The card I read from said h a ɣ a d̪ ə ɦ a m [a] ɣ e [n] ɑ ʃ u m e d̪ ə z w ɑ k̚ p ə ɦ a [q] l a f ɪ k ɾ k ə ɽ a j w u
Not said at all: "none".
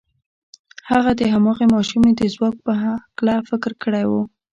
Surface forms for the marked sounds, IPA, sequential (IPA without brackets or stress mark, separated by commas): ɑ, m, k